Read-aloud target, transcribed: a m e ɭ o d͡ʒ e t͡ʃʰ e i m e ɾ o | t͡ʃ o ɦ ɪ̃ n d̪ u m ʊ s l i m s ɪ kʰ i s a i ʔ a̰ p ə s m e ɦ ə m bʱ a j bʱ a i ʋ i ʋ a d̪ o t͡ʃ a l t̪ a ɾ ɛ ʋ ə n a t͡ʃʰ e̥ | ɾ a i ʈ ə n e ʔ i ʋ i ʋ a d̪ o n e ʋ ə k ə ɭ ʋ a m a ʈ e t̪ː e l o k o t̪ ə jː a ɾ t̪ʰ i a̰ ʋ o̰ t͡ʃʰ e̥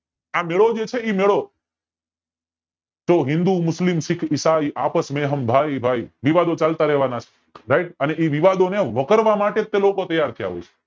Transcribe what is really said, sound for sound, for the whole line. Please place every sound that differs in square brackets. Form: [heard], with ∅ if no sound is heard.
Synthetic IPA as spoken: a m e ɭ o d͡ʒ e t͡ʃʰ e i m e [ɭ] o | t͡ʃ o ɦ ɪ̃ n d̪ u m ʊ s l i m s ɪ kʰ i s a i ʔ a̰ p ə s m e ɦ ə m bʱ a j bʱ a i ʋ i ʋ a d̪ o t͡ʃ a l t̪ a ɾ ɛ ʋ [a] n a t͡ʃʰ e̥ | ɾ a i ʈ ə n e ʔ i ʋ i ʋ a d̪ o n e ʋ ə k ə [ɾ] ʋ a m a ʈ e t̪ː e l o k o t̪ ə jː a ɾ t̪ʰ i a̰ ʋ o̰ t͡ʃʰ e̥